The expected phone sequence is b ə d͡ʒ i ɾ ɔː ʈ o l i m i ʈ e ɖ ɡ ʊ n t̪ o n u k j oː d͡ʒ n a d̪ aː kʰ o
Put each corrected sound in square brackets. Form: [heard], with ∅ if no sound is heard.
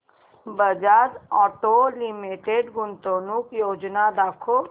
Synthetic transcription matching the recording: b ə d͡ʒ [a] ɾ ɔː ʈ o l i m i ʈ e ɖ ɡ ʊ n t̪ o n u k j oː d͡ʒ n a d̪ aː kʰ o